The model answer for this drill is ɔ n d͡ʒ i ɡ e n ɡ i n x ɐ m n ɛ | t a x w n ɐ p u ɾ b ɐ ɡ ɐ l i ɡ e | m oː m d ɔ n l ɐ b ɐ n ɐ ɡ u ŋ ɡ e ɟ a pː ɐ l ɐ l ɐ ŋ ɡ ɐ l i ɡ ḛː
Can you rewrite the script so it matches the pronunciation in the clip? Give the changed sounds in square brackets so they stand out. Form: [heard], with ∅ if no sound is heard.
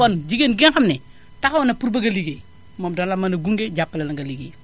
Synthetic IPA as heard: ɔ n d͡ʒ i ɡ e n ɡ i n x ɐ m n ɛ | t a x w n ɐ p u ɾ b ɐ ɡ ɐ l i ɡ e | m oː m d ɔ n l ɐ [m] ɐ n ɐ ɡ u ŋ ɡ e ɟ a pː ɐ l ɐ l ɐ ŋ ɡ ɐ l i ɡ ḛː